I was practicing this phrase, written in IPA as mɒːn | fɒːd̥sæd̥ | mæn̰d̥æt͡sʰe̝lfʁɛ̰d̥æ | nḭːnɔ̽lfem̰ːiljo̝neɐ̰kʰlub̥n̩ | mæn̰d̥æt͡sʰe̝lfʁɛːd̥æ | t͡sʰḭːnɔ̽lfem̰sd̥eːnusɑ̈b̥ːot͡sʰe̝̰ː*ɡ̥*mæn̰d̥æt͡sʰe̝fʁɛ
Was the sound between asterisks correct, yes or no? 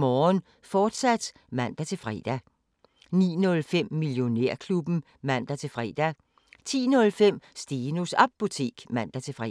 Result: yes